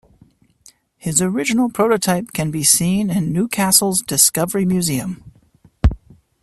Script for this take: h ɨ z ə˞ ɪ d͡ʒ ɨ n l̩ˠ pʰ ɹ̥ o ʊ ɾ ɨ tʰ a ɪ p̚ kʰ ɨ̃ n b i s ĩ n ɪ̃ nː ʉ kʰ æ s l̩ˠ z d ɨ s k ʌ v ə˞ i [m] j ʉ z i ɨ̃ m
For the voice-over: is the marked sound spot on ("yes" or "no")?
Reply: yes